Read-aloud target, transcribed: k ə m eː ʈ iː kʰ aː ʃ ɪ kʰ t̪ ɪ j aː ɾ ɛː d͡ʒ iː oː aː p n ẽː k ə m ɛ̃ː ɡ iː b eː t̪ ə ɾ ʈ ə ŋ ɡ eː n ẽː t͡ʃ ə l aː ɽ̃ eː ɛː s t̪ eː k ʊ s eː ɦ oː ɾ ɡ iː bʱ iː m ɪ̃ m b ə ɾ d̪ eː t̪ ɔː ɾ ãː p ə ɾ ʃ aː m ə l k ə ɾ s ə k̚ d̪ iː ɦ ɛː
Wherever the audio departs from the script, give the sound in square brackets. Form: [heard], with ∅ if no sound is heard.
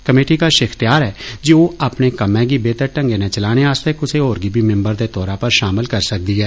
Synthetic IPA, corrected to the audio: k ə m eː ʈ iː [k] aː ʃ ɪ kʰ t̪ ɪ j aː ɾ ɛː d͡ʒ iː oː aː p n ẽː k ə m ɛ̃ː ɡ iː b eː t̪ ə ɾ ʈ ə ŋ ɡ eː n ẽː t͡ʃ ə l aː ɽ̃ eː [aː] s t̪ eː k ʊ s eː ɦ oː ɾ ɡ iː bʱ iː m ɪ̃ m b ə ɾ d̪ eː t̪ ɔː ɾ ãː p ə ɾ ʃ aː m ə l k ə ɾ s ə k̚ d̪ iː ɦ ɛː